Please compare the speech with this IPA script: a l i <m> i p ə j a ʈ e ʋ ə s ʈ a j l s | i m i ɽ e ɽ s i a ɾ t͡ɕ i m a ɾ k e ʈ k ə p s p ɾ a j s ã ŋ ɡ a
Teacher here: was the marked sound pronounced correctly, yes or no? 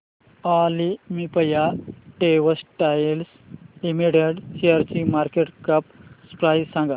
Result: yes